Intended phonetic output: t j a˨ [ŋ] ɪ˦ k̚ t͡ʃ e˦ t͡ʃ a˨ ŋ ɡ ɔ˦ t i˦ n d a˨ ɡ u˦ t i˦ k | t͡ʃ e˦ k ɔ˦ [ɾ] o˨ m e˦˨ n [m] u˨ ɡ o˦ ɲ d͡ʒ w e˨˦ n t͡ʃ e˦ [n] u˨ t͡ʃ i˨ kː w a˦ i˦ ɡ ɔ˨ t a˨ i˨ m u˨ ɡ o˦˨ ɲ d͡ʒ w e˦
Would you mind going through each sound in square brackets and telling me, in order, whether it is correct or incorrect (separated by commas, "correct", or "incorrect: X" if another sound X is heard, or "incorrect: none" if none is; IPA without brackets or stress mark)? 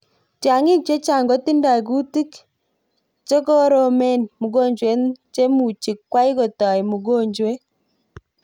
correct, correct, correct, incorrect: m